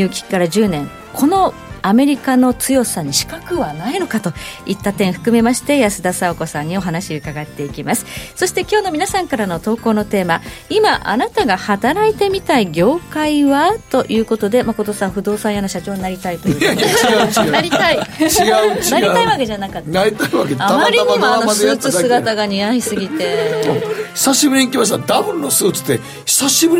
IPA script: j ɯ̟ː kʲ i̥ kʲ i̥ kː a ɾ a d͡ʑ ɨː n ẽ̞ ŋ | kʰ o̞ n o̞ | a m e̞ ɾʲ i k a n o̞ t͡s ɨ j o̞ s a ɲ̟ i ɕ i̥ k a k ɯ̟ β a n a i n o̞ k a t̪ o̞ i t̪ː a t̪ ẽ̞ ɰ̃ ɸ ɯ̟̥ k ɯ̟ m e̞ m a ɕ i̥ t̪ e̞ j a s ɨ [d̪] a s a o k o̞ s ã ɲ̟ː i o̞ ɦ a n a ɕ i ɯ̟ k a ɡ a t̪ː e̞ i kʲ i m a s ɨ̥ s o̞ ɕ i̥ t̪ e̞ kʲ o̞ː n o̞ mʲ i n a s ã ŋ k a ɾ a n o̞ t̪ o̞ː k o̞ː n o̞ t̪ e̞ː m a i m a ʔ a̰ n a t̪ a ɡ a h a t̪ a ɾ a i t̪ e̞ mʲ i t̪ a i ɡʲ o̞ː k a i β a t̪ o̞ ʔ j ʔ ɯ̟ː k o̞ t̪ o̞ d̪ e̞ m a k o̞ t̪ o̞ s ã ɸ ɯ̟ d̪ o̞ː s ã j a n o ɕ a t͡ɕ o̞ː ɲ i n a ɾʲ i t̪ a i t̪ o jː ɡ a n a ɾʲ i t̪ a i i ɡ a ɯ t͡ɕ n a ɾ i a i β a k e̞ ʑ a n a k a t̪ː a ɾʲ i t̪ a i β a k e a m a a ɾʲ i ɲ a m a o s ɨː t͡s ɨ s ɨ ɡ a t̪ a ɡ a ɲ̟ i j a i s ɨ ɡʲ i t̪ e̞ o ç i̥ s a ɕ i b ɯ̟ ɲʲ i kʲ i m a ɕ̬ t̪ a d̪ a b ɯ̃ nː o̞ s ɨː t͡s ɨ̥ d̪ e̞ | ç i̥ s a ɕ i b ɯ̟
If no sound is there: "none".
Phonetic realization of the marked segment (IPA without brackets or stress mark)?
d̪